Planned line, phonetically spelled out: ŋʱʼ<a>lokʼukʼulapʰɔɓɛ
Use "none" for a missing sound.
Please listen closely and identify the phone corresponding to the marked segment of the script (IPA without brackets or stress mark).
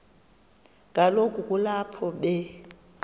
a